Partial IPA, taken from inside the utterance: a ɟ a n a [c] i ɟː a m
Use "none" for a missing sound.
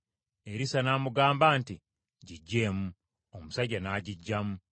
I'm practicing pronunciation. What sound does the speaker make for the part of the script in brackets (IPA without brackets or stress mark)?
ɟ